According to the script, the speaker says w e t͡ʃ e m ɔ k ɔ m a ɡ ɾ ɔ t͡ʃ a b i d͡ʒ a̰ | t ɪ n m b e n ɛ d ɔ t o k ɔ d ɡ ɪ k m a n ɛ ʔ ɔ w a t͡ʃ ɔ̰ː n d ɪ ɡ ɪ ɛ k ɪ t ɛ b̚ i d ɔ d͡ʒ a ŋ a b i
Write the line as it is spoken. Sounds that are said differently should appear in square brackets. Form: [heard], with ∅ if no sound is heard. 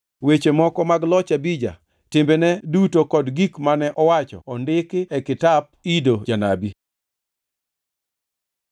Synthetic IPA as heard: w e t͡ʃ e m ɔ k ɔ m a ɡ [l] ɔ t͡ʃ a b i d͡ʒ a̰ | t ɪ [∅] m b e n ɛ d [u] t o k ɔ d ɡ [i] k m a n ɛ ʔ ɔ w a t͡ʃ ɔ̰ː n d ɪ [k] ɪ ɛ k ɪ t [a] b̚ i d [o] d͡ʒ a [n] a b i